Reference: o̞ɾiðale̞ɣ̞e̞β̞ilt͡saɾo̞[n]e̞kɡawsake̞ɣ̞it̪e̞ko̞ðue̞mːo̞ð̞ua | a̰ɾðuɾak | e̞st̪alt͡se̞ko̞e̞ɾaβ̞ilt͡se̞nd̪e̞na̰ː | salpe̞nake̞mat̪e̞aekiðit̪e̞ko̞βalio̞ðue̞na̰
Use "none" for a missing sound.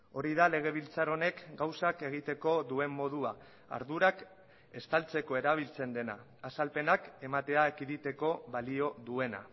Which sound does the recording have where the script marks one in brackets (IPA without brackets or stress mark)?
n